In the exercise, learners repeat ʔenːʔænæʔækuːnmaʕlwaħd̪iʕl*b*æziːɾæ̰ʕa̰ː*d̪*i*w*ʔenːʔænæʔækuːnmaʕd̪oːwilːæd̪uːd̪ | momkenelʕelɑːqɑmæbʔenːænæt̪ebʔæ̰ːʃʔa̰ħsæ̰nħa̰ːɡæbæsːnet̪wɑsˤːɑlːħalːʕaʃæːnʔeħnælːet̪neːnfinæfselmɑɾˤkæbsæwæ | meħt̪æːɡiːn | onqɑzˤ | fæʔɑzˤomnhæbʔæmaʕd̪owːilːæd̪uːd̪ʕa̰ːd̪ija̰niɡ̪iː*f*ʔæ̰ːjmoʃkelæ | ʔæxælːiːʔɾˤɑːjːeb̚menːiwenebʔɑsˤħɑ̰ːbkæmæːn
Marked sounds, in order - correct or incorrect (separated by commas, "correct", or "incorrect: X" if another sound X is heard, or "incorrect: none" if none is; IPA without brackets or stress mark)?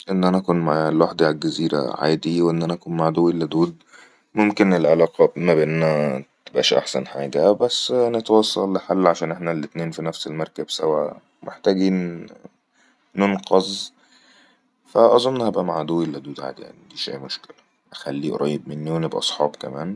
incorrect: ɡ, correct, correct, incorrect: ʃ